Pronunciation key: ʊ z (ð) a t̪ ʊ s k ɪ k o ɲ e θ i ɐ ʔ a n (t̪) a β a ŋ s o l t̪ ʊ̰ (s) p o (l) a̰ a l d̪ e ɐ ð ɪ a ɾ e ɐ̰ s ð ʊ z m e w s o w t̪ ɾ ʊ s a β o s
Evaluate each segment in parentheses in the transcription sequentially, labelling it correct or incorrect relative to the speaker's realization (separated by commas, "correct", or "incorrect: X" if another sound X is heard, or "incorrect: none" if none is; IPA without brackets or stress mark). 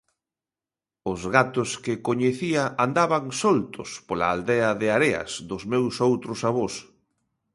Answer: incorrect: ɣ, incorrect: d̪, correct, correct